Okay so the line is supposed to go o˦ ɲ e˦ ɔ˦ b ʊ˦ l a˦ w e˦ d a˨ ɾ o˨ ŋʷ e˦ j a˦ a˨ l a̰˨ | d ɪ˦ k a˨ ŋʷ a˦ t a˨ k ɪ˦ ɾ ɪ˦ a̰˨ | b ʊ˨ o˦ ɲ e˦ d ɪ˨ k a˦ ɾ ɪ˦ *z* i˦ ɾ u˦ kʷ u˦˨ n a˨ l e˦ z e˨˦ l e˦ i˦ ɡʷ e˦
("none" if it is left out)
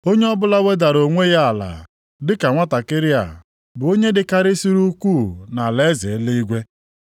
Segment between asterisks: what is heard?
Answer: s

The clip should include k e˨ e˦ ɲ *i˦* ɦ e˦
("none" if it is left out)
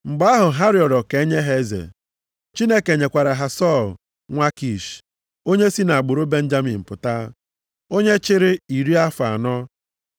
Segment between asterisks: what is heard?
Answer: e˦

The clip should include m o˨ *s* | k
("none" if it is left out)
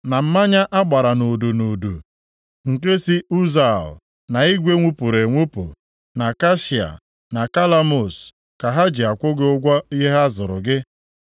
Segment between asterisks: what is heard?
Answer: s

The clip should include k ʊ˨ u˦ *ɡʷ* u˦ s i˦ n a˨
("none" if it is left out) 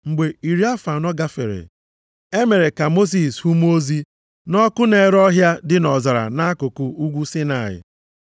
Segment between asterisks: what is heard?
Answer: ɡʷ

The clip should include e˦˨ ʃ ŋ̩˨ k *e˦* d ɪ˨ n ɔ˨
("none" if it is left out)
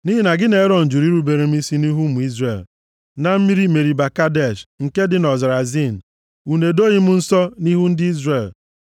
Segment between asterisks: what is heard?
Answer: e˦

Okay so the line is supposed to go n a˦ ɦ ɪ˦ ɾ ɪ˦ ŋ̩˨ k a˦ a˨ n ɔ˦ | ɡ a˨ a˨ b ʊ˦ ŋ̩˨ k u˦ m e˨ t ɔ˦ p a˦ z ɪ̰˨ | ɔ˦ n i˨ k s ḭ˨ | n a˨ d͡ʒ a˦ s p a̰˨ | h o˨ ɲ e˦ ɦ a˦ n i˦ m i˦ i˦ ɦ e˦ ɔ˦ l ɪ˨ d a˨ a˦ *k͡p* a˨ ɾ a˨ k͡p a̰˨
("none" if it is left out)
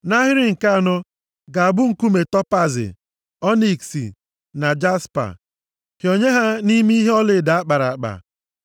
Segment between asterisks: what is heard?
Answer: k͡p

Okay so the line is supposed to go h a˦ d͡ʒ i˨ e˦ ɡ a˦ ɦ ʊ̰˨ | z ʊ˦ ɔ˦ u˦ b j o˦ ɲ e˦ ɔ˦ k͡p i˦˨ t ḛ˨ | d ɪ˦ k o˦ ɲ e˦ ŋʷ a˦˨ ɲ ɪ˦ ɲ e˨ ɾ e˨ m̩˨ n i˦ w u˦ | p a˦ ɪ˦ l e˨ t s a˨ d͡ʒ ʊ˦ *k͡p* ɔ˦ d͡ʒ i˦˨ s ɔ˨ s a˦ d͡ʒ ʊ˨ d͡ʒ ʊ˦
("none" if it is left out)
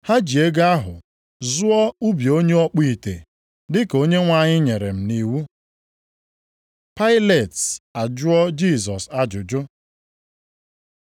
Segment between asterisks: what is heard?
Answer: none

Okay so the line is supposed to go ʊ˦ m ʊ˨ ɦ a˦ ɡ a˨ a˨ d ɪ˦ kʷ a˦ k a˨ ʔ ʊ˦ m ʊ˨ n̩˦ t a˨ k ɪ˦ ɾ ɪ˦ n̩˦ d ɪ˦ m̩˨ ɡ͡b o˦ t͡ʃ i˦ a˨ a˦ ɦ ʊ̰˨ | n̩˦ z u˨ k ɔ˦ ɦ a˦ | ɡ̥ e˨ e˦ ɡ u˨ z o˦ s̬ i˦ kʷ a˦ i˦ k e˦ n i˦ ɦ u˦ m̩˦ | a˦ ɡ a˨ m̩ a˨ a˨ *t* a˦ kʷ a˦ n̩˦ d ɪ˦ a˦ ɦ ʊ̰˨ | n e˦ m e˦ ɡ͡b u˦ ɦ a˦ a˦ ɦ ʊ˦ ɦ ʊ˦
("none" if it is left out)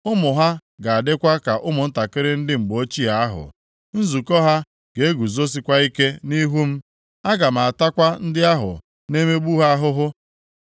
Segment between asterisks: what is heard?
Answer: t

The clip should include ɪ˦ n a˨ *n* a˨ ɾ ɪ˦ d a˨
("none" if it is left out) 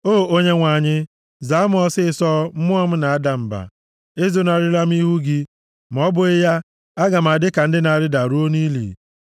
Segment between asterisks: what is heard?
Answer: none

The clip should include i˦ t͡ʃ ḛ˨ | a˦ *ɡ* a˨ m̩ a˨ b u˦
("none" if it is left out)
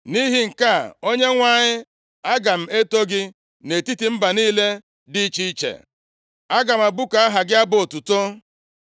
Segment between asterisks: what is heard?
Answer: ɡ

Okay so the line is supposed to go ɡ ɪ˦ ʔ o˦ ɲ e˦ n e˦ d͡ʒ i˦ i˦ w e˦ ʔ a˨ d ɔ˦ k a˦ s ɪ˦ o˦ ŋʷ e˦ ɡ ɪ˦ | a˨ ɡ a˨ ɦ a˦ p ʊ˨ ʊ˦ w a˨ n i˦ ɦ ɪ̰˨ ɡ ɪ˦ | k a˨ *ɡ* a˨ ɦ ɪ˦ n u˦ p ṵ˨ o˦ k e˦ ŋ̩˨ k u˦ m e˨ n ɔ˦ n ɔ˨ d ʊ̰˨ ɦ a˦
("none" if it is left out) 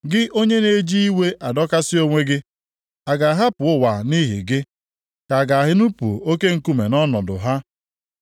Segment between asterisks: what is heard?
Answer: ɡ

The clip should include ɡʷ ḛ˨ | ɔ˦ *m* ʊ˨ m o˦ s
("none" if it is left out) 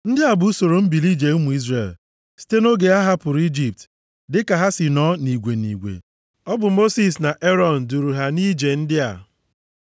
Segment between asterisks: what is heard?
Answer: b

